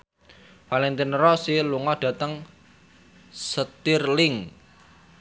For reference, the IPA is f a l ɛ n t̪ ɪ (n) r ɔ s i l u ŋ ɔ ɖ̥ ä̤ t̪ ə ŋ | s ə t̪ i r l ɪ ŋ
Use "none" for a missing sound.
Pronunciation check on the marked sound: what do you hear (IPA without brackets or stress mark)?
n